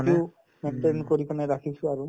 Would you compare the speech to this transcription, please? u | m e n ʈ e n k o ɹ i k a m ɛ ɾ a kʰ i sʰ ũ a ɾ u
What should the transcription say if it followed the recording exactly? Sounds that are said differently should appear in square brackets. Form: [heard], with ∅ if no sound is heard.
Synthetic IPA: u | m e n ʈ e n k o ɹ i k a [n] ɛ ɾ a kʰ i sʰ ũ a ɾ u